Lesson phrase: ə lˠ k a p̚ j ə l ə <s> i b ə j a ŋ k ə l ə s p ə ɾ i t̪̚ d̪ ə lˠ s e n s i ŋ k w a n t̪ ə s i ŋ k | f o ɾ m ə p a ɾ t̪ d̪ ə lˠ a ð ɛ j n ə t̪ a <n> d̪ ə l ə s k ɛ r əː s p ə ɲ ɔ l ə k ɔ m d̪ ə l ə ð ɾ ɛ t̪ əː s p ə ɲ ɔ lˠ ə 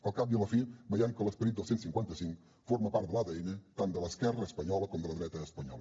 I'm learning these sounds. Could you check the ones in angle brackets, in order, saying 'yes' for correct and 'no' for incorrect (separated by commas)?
no, yes